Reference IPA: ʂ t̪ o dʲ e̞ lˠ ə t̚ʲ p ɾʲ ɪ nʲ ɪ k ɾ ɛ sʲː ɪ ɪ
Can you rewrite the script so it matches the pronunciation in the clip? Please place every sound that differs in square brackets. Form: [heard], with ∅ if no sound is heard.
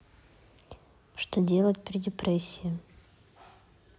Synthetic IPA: ʂ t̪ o dʲ e̞ lˠ ə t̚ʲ p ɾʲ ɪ [dʲ] ɪ [p] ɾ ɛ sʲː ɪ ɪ